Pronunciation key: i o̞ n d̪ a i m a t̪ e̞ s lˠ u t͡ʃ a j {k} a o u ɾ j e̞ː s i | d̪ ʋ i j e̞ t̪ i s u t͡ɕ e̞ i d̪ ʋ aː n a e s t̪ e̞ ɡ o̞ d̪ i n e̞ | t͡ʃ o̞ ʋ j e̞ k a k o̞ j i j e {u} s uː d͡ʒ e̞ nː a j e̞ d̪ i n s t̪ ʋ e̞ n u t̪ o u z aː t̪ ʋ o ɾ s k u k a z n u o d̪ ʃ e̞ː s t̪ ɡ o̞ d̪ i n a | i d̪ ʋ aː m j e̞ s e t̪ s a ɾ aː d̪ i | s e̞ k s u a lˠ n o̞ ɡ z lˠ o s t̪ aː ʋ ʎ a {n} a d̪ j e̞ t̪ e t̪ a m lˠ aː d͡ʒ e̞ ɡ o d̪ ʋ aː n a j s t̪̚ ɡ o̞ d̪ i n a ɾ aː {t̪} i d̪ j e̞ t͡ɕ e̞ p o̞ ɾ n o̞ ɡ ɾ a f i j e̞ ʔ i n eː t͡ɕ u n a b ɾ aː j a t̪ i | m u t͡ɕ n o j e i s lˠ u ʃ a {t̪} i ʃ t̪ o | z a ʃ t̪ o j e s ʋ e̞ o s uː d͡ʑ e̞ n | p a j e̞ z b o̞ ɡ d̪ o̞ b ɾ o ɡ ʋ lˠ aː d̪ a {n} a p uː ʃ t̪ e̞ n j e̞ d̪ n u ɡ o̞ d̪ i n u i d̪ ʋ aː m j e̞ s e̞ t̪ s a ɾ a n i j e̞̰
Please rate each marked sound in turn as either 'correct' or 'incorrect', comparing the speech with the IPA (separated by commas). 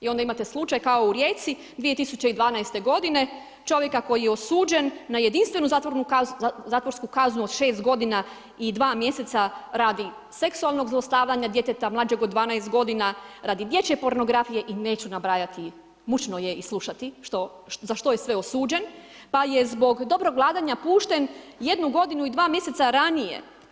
correct, incorrect, incorrect, incorrect, correct, incorrect